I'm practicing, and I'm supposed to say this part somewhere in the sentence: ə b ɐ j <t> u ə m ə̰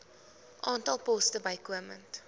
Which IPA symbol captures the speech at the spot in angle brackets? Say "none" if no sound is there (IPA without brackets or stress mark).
k